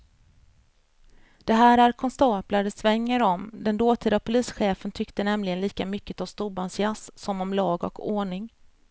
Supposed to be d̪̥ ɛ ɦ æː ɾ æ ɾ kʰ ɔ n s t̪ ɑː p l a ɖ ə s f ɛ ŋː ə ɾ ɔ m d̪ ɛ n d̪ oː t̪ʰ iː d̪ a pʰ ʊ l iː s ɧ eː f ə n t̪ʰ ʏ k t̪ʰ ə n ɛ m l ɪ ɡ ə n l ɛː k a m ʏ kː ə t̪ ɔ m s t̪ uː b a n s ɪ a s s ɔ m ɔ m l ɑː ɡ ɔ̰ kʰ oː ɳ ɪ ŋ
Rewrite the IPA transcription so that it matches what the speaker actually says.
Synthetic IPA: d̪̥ ɛ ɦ æː ɾ æ ɾ kʰ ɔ n s t̪ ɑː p l a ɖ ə s v ɛ ŋː ə ɾ ɔ m d̪ ɛ n d̪ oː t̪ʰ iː d̪ a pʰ ʊ l iː s ɧ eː f ə n t̪ʰ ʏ k t̪ ə n ɛ m l ɪ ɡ ə n l iː k a m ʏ kː ə t̪ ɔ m s t̪ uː b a n s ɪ a s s ɔ m ɔ m l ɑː ɡ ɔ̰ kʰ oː ɳ ɪ ŋ